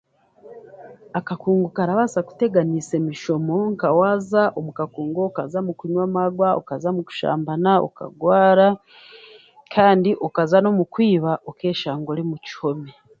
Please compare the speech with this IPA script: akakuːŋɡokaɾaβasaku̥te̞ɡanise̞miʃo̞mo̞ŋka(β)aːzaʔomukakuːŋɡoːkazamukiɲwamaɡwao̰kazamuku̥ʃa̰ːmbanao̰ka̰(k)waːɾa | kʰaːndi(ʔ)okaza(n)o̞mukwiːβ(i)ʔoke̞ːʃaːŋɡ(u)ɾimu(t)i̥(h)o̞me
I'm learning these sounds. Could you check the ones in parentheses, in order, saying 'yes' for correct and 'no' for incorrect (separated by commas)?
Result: no, no, yes, yes, no, no, no, yes